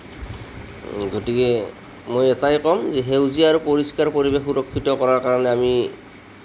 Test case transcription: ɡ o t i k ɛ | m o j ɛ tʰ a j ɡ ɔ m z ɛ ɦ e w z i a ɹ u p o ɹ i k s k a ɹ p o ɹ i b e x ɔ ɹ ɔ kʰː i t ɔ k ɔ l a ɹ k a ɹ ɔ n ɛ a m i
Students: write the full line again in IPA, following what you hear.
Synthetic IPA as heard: ɡ o t i k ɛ | m o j ɛ t a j k ɔ m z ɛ ɦ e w z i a ɹ u p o ɹ i s k a ɹ p o ɹ i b e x u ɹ ɔ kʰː i t ɔ k ɔ ɹ a ɹ k a ɹ ɔ n ɛ a m i

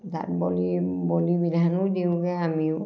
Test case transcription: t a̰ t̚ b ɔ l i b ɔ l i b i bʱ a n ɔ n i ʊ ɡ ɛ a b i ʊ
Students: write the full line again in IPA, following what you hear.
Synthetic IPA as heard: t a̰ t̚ b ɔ l i b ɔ l i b i dʱ a n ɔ d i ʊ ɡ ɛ a m i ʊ

